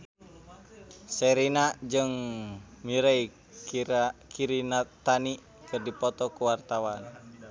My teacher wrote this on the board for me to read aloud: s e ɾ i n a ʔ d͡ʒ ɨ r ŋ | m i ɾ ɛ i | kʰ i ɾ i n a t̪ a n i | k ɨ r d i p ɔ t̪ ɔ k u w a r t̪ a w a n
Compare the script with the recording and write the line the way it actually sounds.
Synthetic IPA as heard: s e ɾ i n a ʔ d͡ʒ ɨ ŋ | m i ɾ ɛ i | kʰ i ɾ i n a t̪ a n i | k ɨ r d i p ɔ t̪ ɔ k u w a r t̪ a w a n